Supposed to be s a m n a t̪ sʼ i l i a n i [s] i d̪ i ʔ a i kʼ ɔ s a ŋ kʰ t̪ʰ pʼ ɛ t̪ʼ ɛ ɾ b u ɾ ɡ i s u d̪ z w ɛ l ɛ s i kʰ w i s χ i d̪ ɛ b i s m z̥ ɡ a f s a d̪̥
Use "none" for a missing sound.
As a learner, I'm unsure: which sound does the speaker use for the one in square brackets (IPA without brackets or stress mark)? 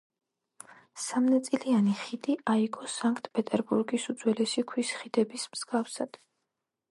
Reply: χ